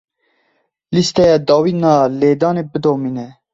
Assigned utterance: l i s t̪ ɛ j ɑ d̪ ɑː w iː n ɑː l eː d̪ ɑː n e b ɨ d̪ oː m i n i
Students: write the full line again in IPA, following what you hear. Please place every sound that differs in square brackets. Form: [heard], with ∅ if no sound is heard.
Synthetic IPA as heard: l i s t̪ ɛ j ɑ d̪ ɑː w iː n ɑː l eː d̪ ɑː n e b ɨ d̪ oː m i n [ɛ]